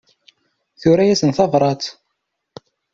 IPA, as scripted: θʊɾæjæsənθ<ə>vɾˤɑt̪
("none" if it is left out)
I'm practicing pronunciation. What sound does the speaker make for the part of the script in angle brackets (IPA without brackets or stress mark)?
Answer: ɑ